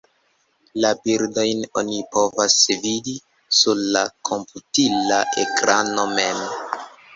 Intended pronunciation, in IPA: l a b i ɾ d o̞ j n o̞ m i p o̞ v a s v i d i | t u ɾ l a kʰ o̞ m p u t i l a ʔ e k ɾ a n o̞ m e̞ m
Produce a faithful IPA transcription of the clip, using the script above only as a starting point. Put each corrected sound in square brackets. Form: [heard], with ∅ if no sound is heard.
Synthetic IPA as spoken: l a b i ɾ d o̞ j n o̞ [n] i p o̞ v a s v i d i | [s] u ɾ l a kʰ o̞ m p u t i l a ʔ e k ɾ a n o̞ m e̞ m